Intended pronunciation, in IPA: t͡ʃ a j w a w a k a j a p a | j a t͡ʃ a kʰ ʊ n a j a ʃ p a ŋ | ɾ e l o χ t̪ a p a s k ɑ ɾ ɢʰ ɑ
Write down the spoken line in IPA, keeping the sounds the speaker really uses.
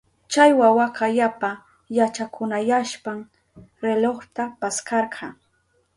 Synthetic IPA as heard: t͡ʃ a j w a w a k a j a p a | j a t͡ʃ a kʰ ʊ n a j a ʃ p a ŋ | ɾ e l o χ t̪ a p a s k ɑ ɾ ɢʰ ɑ